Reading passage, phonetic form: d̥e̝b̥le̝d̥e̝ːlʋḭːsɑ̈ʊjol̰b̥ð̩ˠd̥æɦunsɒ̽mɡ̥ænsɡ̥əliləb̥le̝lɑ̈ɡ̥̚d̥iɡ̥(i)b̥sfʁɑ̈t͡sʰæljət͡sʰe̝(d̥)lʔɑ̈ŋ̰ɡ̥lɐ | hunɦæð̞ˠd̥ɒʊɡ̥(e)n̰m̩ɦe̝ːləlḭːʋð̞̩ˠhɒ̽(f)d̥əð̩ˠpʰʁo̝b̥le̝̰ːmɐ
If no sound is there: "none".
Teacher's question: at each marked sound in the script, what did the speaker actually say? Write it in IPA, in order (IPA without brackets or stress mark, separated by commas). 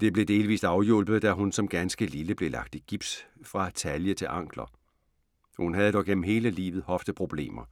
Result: i, none, e, f